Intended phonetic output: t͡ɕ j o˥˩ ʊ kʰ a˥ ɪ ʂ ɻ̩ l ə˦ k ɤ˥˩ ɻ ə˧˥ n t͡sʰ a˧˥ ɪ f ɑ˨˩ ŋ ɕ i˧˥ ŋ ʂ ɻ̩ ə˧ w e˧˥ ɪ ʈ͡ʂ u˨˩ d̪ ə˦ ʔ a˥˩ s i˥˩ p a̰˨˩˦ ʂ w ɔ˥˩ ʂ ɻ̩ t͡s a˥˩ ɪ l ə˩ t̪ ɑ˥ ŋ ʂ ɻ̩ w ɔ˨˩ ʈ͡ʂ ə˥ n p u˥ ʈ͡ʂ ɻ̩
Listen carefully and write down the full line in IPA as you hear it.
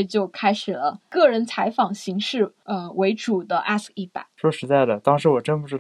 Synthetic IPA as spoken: t͡ɕ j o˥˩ ʊ kʰ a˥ ɪ ʂ ɻ̩ l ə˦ k ɤ˥˩ ɻ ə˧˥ n t͡sʰ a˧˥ ɪ f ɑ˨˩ ŋ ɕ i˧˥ ŋ ʂ ɻ̩ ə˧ w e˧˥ ɪ ʈ͡ʂ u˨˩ d̪ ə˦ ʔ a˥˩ s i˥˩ p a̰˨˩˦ ʂ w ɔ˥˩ ʂ ɻ̩ t͡s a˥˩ ɪ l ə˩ t̪ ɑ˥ ŋ ʂ ɻ̩ w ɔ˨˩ ʈ͡ʂ ə˥ n p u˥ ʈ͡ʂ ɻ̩